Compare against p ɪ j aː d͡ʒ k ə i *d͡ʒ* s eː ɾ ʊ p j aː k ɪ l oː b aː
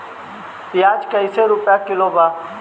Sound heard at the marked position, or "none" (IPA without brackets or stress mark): none